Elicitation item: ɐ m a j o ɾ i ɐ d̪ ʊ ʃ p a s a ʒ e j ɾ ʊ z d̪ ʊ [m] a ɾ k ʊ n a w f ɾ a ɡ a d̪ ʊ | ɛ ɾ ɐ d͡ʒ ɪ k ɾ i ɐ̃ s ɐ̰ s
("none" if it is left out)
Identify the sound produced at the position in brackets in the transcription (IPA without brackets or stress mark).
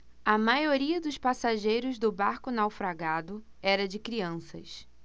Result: b